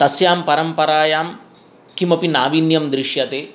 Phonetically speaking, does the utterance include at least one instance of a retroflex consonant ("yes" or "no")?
no